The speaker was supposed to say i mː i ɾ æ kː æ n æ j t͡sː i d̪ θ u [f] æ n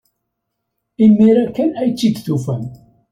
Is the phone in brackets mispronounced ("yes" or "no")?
no